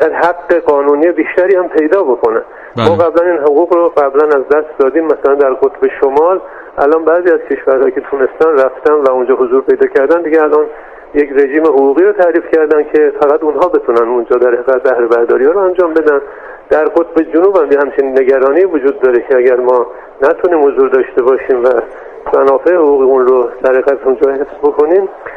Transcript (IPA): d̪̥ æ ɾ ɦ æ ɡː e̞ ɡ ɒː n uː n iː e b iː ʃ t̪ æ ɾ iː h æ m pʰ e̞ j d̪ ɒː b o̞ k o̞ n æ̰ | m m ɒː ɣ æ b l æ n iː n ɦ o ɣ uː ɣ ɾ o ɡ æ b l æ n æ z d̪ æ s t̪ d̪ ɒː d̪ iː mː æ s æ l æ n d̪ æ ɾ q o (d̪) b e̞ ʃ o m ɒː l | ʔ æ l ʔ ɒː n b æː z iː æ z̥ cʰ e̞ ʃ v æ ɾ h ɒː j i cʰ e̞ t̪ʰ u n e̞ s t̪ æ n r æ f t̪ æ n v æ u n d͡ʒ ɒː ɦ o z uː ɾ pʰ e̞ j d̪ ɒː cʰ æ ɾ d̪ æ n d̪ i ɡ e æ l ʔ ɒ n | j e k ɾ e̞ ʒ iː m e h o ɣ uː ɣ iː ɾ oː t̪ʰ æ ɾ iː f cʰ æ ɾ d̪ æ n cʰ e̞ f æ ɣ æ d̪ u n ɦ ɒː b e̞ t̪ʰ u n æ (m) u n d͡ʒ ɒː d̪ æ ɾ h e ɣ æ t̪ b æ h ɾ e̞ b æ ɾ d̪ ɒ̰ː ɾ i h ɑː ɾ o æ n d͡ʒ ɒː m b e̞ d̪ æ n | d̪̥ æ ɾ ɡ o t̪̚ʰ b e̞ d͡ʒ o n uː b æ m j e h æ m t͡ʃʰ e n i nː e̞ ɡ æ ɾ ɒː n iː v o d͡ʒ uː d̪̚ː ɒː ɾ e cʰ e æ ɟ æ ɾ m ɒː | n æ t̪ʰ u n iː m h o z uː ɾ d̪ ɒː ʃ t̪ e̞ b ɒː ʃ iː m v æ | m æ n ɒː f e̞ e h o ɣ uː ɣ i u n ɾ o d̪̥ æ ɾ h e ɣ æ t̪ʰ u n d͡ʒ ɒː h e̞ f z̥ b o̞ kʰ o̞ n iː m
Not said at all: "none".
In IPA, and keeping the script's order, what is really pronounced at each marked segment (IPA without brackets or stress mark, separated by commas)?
t̪, n